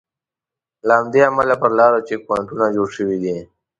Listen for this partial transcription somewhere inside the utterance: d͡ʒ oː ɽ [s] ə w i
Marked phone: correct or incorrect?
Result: incorrect